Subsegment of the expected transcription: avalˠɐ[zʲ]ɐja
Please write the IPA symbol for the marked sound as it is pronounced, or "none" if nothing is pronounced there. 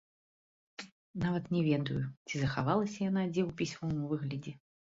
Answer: sʲ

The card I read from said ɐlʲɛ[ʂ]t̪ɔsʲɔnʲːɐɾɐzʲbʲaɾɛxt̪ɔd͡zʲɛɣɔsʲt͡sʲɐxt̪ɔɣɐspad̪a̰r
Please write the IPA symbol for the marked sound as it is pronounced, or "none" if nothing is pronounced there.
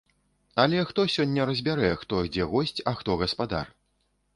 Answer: x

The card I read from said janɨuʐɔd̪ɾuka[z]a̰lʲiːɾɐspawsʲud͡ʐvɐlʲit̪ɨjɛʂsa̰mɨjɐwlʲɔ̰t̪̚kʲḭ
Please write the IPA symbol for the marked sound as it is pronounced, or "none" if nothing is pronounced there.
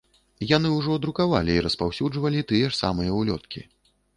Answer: v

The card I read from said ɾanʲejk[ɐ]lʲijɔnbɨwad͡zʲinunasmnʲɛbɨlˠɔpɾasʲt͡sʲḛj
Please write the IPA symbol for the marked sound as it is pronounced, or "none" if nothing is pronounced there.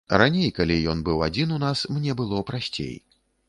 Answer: a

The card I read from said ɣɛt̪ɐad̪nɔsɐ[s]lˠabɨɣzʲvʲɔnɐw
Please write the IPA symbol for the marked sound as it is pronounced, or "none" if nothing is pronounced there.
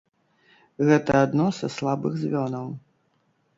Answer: s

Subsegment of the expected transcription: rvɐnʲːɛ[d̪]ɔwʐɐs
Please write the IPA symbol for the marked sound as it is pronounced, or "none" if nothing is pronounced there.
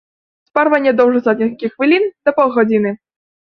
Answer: d̪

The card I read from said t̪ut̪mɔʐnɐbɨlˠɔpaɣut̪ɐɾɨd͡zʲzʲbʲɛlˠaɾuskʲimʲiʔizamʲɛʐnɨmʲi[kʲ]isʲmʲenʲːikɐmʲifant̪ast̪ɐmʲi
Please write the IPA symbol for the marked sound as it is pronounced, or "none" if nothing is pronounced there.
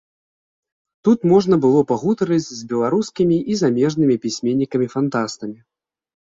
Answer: pʲ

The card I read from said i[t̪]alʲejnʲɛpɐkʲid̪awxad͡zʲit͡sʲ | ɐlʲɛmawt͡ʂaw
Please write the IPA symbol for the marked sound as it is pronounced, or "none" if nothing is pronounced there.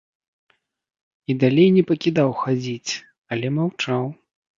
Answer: d̪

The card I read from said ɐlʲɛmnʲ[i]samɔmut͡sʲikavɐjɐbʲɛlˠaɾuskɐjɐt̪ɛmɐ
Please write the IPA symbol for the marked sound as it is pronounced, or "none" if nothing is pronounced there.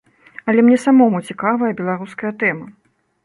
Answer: ɛ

